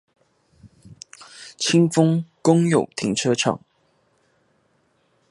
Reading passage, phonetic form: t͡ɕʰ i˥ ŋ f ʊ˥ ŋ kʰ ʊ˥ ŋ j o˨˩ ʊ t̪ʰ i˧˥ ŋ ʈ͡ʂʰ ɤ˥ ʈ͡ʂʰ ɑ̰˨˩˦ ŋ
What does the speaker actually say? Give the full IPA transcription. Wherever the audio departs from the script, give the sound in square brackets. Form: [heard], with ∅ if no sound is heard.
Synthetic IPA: t͡ɕʰ i˥ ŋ f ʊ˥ ŋ [k] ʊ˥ ŋ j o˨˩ ʊ t̪ʰ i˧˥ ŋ ʈ͡ʂʰ ɤ˥ ʈ͡ʂʰ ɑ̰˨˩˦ ŋ